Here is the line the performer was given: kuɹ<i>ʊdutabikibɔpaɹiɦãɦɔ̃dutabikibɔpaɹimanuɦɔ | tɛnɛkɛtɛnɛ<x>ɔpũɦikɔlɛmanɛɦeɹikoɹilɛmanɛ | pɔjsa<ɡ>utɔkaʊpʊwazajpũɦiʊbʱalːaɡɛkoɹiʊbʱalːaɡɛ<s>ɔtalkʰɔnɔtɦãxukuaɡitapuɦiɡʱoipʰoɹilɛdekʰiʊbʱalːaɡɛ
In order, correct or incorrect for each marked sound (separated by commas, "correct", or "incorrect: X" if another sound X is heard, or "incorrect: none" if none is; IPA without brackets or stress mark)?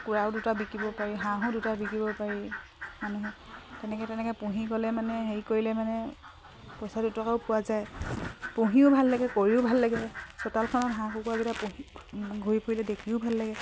incorrect: a, incorrect: k, incorrect: d, correct